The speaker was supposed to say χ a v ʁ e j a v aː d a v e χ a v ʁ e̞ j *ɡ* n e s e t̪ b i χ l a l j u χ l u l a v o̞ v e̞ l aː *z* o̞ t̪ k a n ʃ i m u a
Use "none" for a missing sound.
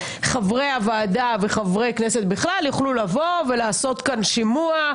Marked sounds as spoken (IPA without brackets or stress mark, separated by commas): k, s